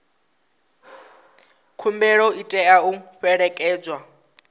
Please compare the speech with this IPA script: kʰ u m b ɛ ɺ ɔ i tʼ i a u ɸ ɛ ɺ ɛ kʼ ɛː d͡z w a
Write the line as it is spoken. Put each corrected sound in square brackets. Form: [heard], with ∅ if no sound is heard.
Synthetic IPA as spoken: kʰ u m b ɛ ɺ ɔ i tʼ [ɛ] a u ɸ ɛ ɺ ɛ kʼ ɛː d͡z w a